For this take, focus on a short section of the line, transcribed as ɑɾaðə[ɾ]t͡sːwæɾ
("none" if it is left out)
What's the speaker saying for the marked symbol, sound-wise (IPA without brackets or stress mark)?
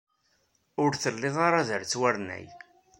ɾ